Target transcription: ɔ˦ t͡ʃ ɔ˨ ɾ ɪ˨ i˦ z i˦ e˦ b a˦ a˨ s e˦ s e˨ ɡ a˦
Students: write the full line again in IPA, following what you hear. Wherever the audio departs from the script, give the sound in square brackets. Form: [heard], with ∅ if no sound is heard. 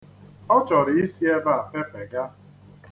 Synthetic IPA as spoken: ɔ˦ t͡ʃ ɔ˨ ɾ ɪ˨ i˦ [s] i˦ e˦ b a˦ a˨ [f] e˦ [f] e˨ ɡ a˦